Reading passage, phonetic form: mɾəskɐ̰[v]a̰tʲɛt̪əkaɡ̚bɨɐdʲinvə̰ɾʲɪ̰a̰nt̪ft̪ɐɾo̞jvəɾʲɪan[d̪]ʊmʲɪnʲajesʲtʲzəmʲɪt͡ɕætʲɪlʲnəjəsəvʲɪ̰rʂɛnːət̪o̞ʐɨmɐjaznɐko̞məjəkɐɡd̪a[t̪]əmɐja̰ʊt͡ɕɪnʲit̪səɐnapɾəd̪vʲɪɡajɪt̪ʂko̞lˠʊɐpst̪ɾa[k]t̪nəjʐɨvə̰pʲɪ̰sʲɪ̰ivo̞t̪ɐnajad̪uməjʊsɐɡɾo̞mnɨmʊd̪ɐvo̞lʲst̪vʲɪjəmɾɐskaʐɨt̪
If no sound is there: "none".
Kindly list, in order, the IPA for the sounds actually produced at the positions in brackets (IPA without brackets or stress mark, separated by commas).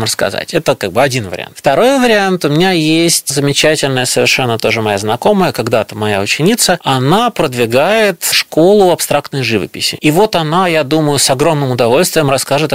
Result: z, t̪, t̪, k